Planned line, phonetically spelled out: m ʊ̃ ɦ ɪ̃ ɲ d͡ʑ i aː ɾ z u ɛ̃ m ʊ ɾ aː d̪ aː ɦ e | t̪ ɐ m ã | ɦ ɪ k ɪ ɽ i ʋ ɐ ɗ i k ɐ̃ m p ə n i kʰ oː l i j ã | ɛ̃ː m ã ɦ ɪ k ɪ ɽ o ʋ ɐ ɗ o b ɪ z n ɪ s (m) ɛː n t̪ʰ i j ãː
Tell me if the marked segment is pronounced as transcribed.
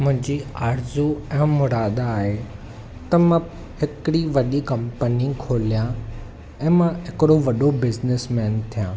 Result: yes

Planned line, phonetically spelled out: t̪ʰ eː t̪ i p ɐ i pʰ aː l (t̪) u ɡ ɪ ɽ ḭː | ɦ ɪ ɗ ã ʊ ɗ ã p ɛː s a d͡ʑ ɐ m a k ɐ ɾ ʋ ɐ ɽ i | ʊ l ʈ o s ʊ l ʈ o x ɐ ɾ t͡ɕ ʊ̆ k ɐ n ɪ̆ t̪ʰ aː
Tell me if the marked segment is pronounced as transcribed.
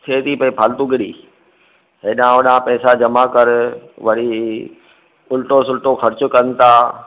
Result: yes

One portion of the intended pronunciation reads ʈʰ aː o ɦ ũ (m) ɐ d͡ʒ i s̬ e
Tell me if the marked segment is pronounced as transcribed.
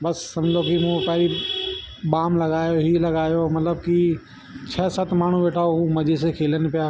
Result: yes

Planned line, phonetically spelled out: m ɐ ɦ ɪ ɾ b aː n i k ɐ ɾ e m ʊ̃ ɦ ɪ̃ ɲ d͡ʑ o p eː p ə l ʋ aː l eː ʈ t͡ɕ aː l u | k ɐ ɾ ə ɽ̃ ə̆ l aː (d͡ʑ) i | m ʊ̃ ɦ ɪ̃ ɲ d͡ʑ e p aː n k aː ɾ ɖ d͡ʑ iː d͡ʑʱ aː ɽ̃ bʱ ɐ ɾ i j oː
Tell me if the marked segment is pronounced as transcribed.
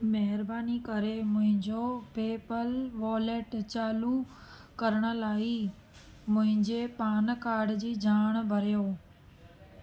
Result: no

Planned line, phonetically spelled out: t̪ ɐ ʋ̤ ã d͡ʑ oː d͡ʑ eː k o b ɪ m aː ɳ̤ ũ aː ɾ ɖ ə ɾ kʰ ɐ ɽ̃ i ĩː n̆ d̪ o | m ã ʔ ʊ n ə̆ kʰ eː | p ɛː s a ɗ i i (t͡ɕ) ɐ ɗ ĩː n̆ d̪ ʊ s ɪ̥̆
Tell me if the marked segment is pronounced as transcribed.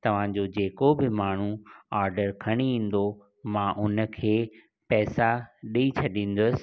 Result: no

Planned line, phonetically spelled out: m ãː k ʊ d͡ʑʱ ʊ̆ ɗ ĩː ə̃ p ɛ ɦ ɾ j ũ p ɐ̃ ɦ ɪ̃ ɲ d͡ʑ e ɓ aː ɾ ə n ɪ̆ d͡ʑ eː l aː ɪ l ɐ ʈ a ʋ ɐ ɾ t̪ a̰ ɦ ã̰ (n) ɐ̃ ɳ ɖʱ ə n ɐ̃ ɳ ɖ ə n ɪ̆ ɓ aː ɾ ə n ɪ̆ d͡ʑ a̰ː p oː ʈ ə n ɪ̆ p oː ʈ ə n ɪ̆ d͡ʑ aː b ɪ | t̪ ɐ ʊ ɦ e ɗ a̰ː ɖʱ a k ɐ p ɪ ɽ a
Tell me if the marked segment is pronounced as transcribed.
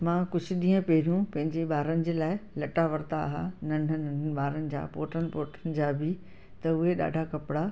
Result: yes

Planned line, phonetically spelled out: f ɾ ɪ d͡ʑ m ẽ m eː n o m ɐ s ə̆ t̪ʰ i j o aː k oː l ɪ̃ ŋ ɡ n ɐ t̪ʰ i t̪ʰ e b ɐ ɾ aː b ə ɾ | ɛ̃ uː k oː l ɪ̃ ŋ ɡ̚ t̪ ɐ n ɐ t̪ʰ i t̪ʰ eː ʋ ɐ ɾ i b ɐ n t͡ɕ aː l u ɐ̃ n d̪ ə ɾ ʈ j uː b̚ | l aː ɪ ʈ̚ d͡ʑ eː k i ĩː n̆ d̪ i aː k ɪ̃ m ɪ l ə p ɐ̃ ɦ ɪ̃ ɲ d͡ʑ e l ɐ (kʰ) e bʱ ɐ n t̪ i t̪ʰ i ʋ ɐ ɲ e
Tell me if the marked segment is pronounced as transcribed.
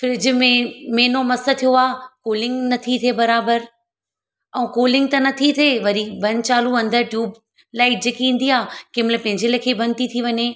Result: yes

